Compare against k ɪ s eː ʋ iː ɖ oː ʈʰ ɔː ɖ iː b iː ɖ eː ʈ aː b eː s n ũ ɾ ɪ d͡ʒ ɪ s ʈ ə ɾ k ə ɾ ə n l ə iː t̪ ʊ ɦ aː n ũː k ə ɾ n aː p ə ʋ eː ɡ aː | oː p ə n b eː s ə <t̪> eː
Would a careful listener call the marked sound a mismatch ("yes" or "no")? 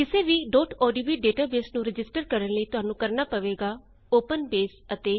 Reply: no